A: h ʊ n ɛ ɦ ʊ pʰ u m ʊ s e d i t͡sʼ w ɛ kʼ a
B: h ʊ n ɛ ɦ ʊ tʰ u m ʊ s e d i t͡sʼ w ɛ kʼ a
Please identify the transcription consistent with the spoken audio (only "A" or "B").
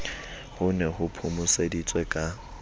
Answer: A